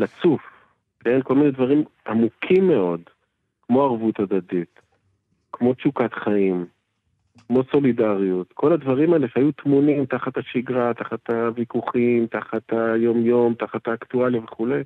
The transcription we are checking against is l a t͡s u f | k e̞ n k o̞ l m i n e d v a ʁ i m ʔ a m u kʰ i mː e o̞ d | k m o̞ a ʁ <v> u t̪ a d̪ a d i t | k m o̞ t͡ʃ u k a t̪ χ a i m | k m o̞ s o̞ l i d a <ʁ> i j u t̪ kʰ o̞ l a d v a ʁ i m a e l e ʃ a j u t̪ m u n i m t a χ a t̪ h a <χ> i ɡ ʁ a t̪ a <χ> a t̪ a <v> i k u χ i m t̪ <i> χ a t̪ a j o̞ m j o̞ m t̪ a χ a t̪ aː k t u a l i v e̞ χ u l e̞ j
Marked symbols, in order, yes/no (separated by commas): yes, yes, no, yes, yes, no